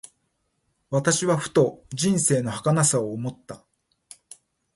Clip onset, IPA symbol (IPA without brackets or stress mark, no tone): β